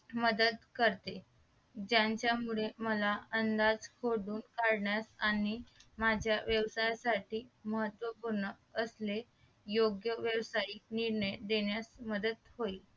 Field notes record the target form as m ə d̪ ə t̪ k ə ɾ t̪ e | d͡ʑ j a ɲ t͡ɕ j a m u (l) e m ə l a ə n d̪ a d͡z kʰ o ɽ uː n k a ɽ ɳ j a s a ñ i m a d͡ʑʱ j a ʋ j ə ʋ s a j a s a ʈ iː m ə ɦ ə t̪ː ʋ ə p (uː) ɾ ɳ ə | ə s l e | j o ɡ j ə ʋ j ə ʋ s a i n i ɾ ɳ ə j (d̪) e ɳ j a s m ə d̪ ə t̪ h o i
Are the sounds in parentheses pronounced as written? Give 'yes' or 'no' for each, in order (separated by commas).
no, no, yes